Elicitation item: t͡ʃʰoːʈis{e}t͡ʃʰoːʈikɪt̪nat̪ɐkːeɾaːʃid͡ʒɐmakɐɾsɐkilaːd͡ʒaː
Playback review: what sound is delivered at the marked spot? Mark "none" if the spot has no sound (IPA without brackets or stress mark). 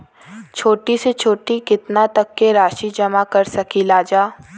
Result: e